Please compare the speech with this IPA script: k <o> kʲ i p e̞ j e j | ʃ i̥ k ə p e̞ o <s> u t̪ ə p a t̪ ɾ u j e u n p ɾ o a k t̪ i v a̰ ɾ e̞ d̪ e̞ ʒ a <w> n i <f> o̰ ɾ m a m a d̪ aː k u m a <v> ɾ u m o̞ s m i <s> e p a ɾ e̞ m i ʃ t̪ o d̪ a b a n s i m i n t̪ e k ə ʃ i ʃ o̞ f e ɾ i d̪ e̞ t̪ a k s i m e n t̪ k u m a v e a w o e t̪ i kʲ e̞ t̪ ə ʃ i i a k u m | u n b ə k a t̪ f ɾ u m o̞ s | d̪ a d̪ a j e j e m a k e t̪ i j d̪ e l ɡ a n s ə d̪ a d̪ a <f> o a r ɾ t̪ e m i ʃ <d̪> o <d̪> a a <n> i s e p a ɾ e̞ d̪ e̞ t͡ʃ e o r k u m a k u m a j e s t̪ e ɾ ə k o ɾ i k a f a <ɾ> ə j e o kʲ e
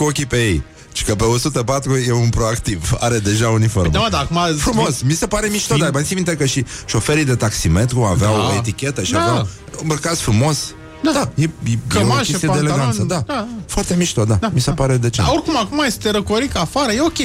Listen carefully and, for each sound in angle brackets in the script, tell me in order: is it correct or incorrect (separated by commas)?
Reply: correct, correct, incorrect, correct, incorrect, correct, correct, incorrect, correct, incorrect, correct